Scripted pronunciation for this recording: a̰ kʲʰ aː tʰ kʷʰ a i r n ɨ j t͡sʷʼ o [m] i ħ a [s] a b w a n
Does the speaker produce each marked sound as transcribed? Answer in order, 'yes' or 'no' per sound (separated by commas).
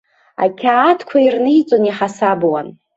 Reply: no, yes